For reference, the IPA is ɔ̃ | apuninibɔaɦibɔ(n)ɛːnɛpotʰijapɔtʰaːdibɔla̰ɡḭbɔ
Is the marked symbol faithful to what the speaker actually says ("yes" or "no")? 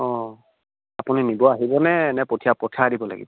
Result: yes